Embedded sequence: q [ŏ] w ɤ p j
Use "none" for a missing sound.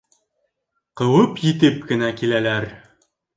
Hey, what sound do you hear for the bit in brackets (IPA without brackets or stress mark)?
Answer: ɤ̆